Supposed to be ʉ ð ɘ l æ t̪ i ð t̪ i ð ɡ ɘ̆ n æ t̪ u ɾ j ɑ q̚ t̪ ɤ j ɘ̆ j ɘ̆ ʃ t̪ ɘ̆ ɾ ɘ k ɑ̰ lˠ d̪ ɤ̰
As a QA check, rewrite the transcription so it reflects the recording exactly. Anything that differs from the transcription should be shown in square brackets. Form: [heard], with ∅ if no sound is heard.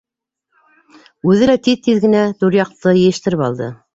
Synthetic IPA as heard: ʉ ð ɘ l æ t̪ i ð t̪ i ð ɡ ɘ̆ n æ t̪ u ɾ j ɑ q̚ t̪ ɤ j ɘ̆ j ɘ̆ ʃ t̪ ɘ̆ ɾ ɘ [p] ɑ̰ lˠ d̪ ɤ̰